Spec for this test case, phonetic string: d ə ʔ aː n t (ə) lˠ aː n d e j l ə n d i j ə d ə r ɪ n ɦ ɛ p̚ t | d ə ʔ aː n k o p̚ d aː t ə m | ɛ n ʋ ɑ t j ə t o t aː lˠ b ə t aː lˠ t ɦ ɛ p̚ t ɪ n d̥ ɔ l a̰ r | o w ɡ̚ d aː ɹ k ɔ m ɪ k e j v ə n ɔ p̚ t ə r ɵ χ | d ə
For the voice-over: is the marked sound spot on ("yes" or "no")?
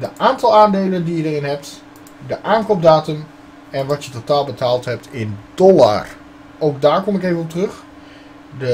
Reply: no